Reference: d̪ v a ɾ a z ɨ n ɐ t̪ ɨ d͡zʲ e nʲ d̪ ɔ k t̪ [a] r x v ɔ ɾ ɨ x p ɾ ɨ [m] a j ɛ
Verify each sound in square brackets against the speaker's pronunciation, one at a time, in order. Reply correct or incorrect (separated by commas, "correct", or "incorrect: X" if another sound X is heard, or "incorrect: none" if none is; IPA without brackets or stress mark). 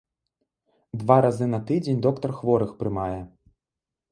incorrect: ɐ, correct